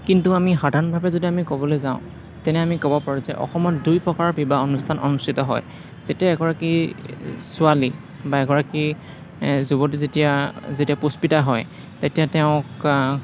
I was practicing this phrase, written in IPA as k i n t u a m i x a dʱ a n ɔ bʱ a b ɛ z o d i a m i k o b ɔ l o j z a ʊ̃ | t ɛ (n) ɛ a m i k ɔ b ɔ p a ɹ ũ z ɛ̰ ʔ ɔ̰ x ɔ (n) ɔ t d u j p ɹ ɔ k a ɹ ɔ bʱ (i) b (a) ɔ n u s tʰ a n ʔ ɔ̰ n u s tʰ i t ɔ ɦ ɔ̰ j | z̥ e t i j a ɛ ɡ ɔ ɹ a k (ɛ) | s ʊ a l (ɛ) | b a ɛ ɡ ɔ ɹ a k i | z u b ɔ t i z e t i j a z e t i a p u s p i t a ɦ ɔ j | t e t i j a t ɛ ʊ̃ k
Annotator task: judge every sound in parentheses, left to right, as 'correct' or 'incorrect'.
correct, incorrect: m, correct, correct, incorrect: i, incorrect: i

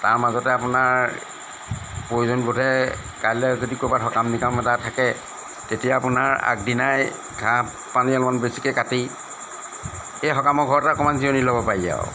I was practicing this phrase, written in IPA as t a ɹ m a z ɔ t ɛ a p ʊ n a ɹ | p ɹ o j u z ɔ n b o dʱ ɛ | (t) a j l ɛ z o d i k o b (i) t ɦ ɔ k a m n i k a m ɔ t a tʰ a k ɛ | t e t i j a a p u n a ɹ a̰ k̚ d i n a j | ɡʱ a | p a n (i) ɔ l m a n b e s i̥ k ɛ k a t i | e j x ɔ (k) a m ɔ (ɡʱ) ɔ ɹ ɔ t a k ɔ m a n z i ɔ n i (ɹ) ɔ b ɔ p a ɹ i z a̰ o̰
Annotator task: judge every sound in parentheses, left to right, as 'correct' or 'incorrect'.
incorrect: k, incorrect: a, correct, correct, correct, incorrect: l

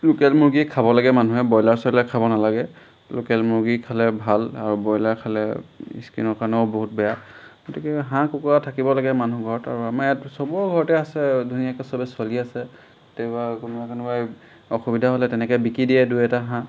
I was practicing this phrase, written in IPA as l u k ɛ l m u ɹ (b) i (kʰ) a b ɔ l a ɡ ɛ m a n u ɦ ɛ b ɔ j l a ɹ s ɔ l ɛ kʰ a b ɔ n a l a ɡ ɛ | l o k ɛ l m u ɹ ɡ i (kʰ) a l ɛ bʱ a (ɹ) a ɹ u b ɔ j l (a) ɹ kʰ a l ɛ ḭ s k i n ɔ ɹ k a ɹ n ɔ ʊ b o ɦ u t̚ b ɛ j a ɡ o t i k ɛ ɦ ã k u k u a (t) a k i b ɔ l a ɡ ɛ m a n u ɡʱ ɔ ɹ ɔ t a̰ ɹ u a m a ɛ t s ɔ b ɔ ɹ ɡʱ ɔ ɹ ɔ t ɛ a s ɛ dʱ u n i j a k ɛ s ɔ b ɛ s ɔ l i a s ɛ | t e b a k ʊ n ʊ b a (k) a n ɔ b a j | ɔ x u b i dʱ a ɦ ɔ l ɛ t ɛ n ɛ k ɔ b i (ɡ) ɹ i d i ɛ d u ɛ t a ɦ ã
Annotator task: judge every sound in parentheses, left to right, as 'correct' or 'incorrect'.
incorrect: ɡ, correct, correct, incorrect: l, correct, incorrect: tʰ, correct, incorrect: k

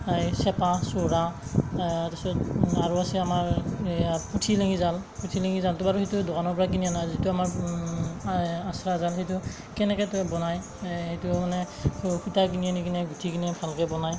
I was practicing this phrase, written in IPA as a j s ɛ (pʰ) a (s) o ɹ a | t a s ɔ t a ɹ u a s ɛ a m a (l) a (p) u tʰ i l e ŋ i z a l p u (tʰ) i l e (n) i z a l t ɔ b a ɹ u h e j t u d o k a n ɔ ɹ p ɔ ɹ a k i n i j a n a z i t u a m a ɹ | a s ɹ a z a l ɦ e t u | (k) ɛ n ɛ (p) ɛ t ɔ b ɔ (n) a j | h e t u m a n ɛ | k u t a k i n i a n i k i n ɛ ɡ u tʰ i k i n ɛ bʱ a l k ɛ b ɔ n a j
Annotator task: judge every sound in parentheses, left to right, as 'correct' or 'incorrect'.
incorrect: p, correct, incorrect: ɹ, correct, correct, incorrect: ŋ, correct, incorrect: k, correct

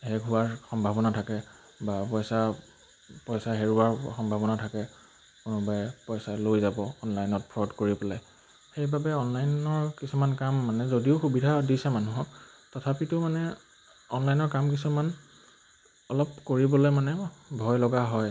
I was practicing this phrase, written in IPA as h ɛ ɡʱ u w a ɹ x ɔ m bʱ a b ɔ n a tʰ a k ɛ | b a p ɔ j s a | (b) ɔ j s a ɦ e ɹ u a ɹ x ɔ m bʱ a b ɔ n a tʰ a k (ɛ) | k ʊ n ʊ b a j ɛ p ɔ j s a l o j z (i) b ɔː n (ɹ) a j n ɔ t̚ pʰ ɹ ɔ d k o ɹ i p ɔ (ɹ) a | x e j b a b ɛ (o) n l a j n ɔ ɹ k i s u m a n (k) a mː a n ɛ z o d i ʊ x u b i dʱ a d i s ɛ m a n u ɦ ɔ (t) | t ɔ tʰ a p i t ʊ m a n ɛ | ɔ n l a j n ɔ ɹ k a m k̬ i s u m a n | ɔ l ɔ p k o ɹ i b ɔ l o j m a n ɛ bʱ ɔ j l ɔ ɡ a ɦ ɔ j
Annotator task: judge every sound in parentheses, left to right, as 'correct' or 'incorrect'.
incorrect: p, correct, incorrect: a, incorrect: l, incorrect: l, incorrect: ɔ, correct, incorrect: k

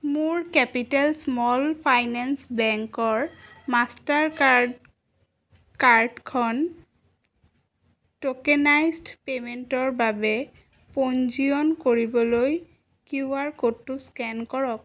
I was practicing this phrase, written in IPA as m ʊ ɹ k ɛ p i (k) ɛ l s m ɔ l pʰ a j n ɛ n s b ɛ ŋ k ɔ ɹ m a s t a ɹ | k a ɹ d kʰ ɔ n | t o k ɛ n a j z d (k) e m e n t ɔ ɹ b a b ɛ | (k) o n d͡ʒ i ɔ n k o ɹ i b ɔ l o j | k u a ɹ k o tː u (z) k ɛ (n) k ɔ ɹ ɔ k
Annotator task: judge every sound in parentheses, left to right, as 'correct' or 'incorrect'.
incorrect: t, incorrect: p, incorrect: p, incorrect: s, correct

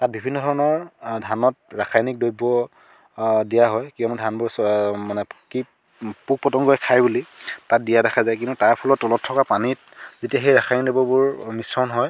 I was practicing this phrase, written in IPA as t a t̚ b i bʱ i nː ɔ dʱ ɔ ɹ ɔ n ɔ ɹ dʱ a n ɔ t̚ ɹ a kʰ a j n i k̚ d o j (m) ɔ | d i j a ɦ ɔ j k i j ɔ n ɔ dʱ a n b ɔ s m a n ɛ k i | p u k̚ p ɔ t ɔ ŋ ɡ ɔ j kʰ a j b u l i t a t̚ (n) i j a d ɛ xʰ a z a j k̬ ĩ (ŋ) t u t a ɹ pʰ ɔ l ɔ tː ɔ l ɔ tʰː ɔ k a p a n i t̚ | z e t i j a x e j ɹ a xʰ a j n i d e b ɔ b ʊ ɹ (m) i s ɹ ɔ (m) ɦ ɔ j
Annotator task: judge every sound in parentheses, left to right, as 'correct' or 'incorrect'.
incorrect: b, incorrect: d, incorrect: n, correct, incorrect: n

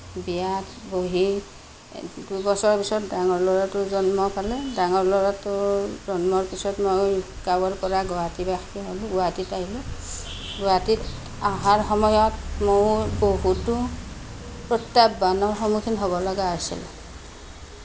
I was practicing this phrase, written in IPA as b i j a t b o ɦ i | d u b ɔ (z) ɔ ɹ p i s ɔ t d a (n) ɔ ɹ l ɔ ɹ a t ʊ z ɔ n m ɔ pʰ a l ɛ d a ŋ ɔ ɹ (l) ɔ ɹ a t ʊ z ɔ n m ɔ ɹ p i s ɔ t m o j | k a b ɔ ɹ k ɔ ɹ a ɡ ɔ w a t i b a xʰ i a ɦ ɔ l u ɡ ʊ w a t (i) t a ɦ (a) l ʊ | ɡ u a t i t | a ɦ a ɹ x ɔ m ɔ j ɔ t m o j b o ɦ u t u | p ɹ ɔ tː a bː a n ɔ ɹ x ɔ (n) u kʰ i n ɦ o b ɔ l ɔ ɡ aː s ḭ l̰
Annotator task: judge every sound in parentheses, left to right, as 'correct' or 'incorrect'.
incorrect: s, incorrect: ŋ, correct, correct, incorrect: i, incorrect: m

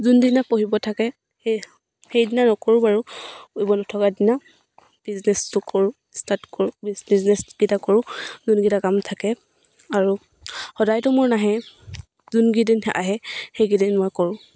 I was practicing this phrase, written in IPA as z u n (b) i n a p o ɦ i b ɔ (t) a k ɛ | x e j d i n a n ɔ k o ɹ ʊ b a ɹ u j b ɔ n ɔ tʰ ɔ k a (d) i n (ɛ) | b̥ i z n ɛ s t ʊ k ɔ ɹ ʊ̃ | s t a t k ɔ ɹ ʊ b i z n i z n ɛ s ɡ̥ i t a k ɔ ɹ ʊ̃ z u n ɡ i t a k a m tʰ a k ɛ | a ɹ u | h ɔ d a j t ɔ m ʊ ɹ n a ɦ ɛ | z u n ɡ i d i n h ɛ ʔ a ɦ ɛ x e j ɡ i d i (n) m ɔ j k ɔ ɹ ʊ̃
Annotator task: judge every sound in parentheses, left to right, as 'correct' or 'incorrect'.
incorrect: d, incorrect: tʰ, correct, incorrect: a, correct

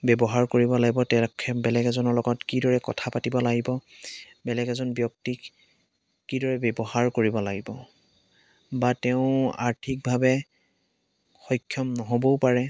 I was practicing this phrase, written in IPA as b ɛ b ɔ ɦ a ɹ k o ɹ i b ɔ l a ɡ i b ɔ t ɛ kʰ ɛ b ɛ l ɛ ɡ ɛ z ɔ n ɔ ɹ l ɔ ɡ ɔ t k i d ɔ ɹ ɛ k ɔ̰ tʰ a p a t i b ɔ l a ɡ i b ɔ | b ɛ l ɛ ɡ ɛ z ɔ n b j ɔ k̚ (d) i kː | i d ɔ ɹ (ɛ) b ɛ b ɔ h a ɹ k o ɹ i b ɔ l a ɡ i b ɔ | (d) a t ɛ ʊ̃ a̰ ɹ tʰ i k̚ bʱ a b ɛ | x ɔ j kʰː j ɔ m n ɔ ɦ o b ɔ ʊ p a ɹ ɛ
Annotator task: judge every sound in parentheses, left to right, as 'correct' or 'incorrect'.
incorrect: t, correct, incorrect: b

